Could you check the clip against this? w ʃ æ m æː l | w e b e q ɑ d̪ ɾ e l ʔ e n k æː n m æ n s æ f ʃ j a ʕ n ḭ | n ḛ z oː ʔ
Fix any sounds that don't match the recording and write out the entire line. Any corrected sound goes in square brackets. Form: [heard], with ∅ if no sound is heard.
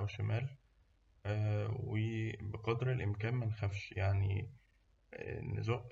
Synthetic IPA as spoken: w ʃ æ m æː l | w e b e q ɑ d̪ ɾ e l ʔ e [m] k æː n m æ n [x] æ f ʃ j a ʕ n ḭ | n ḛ z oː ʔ

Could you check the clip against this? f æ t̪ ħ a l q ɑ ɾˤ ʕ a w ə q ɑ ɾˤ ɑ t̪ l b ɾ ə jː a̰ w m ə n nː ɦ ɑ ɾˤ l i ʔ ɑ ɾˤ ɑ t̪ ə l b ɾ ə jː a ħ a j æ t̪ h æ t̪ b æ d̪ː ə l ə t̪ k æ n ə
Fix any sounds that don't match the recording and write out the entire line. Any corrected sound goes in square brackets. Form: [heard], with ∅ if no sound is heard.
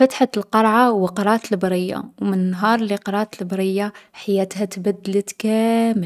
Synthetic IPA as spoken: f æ t̪ ħ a l q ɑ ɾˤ ʕ a w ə q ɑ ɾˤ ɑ t̪ l b ɾ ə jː a̰ w m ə n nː ɦ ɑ ɾˤ l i [q] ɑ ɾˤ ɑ t̪ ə l b ɾ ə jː a ħ a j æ t̪ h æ t̪ b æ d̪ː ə l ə t̪ k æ [m] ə

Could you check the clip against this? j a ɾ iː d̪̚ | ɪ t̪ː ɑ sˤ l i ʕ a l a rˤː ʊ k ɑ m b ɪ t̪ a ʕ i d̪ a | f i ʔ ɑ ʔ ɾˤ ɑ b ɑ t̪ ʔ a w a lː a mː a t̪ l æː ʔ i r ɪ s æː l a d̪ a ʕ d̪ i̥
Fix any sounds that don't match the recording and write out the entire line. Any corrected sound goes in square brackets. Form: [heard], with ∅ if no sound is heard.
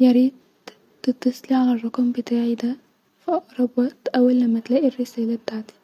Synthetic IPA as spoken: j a ɾ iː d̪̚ | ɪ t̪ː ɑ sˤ l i ʕ a l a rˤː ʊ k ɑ m b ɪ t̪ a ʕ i d̪ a | f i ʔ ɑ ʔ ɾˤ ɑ b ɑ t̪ ʔ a w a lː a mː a t̪ l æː ʔ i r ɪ s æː l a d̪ a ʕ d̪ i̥

